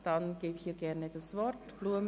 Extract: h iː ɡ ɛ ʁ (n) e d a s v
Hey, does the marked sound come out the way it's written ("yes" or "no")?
yes